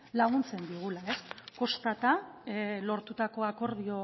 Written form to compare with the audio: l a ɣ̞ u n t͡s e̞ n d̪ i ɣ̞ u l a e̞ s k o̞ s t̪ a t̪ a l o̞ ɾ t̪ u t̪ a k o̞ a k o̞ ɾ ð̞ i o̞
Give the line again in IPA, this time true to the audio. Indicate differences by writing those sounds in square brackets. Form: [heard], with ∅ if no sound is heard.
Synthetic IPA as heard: l a ɣ̞ u n t͡s e̞ n d̪ i ɣ̞ u l a e̞ s k o̞ s t̪ a t̪ a l o̞ ɾ t̪ u t̪ a k o̞ a k o̞ ɾ ð̞ i o̞